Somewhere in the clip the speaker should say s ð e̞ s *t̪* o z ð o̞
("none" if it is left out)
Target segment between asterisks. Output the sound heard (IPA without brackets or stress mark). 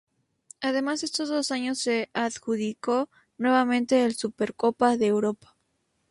t̪